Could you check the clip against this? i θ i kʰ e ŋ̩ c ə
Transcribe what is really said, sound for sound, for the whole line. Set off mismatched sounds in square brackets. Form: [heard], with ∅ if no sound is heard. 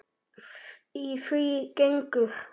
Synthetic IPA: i [f] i [k] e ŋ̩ [k] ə